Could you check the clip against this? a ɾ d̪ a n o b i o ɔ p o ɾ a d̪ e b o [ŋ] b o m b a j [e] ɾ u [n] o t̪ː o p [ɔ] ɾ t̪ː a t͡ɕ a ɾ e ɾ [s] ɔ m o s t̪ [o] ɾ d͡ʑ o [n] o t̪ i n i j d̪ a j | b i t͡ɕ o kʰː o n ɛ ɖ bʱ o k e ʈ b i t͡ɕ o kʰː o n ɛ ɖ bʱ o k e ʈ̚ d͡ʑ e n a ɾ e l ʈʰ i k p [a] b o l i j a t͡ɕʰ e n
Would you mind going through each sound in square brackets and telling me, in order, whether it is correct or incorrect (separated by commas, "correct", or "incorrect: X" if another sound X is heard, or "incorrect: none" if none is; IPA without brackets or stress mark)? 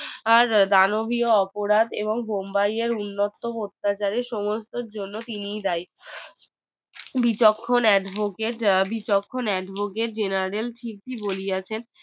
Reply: correct, correct, incorrect: nː, incorrect: o, incorrect: ʃ, correct, incorrect: nː, incorrect: i